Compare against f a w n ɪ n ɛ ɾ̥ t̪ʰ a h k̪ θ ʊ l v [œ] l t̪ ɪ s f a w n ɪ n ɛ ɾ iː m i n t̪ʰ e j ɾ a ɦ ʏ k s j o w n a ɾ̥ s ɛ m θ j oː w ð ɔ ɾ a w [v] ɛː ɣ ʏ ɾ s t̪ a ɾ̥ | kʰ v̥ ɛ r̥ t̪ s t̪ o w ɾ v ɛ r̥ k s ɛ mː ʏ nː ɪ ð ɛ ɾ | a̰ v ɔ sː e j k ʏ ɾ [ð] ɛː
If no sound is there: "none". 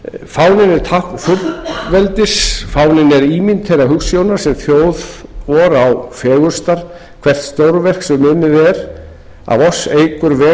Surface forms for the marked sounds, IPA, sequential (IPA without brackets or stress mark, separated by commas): ɛ, f, v